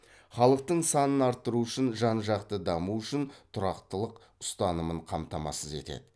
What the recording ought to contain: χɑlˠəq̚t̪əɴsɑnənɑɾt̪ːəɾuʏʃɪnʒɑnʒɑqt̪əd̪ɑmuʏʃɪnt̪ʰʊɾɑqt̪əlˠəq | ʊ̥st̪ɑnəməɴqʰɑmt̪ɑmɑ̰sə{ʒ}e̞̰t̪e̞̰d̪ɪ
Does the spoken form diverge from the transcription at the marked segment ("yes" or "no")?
yes